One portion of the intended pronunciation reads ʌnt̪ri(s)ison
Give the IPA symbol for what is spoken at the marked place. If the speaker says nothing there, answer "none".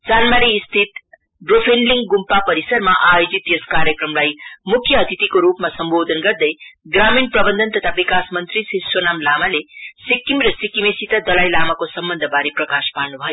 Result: s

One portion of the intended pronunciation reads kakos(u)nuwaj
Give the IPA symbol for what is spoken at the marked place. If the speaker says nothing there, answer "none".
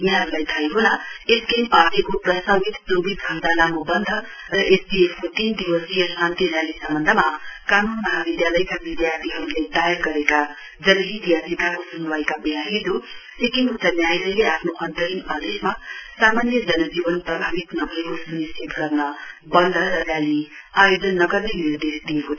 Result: u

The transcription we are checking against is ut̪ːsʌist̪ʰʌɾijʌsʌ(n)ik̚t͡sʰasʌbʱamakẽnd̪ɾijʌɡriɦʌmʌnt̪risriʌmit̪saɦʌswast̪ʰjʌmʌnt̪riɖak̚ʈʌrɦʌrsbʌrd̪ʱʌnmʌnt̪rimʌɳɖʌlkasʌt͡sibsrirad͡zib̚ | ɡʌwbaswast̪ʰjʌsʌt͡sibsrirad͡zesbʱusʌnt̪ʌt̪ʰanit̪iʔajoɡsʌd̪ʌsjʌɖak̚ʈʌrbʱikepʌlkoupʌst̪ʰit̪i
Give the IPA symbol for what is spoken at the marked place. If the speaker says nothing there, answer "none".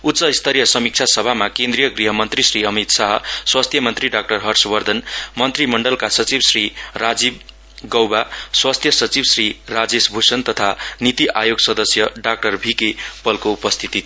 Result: m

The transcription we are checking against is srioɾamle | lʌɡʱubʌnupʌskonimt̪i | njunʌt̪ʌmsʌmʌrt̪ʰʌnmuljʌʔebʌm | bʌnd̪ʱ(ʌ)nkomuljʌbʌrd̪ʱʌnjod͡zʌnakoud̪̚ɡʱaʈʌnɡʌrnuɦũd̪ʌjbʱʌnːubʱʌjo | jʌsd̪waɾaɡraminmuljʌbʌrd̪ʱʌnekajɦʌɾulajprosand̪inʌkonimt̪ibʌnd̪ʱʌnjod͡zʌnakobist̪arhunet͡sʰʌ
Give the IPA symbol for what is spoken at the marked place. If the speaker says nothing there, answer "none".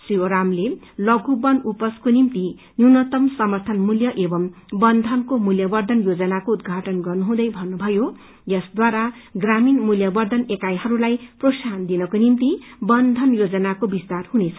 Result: ʌ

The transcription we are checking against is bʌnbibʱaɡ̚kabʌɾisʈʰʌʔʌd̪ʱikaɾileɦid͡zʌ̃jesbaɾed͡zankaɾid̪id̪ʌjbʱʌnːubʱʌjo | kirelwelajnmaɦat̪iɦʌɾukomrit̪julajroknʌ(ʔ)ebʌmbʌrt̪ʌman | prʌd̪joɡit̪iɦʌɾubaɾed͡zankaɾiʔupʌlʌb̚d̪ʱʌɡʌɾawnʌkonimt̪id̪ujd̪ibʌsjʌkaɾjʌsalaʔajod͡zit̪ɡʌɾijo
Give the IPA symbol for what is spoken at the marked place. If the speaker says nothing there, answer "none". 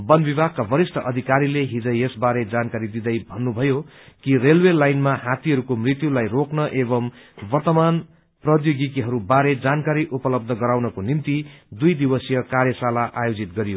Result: ʔ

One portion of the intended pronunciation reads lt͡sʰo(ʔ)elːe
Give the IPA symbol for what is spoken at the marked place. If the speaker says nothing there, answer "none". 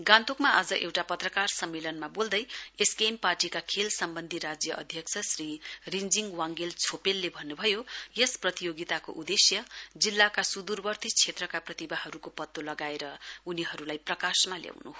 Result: p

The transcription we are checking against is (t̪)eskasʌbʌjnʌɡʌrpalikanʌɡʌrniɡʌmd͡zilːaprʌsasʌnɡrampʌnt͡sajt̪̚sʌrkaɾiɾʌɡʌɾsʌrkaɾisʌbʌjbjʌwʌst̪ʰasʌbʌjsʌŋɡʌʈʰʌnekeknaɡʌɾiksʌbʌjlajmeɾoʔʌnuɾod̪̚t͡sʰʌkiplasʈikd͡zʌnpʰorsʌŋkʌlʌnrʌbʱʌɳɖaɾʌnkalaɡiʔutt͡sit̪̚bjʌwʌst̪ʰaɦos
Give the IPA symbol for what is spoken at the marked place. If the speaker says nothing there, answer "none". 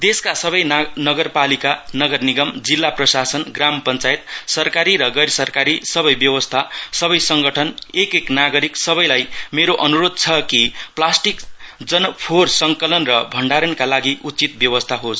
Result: d̪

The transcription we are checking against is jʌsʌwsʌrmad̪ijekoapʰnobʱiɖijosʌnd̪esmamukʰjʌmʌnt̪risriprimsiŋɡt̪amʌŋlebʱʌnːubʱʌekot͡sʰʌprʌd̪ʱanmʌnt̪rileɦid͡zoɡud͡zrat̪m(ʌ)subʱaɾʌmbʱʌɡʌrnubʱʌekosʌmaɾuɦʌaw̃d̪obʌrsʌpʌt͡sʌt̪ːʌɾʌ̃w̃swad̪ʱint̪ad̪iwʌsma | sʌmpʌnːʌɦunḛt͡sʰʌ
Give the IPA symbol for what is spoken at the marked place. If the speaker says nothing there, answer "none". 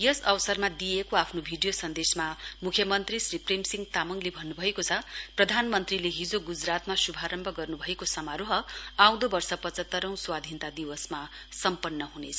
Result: a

